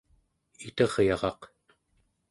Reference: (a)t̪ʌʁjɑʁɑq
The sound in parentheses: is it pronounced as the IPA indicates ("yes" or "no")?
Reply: no